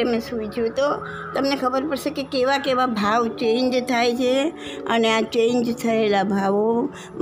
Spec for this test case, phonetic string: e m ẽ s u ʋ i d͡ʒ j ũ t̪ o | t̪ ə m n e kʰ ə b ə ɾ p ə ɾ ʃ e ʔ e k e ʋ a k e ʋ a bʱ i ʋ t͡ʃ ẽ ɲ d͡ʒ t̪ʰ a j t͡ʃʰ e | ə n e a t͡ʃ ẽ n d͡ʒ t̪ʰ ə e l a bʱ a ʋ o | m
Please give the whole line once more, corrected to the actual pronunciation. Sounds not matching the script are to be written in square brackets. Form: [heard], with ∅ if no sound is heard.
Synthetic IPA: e m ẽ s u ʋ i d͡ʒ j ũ t̪ o | t̪ ə m n e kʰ ə b ə ɾ p ə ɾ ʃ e [k] e k e ʋ a k e ʋ a bʱ [a] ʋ t͡ʃ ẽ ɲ d͡ʒ t̪ʰ a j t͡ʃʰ e | ə n e a t͡ʃ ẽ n d͡ʒ t̪ʰ ə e l a bʱ a ʋ o | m